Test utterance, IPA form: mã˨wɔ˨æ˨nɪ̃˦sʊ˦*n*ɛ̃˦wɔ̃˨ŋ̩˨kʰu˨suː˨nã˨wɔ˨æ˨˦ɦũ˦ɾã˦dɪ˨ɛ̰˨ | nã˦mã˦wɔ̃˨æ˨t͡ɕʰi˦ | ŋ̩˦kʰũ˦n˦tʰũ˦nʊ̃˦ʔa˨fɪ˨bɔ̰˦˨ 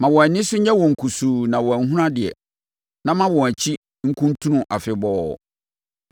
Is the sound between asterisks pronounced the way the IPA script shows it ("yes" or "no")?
no